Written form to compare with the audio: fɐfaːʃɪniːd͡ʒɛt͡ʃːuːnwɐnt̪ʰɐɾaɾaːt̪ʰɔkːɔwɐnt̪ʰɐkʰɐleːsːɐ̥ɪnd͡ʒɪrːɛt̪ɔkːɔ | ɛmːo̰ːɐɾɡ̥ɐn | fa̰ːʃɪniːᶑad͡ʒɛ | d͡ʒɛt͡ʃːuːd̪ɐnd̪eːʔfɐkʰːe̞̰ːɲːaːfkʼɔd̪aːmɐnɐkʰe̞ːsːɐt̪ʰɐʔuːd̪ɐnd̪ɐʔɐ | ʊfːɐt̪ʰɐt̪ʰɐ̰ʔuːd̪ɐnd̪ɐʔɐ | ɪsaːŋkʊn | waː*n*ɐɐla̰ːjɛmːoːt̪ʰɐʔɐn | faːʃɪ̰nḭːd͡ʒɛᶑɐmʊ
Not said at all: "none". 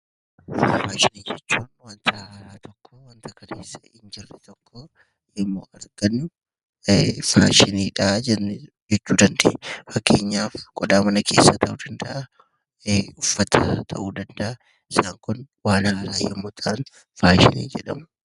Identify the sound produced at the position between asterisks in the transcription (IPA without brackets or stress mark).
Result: n